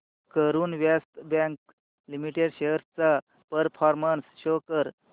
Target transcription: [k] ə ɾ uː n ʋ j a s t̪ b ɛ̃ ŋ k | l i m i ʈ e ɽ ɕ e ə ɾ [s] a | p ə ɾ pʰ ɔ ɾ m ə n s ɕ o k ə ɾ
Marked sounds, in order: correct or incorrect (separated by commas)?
correct, incorrect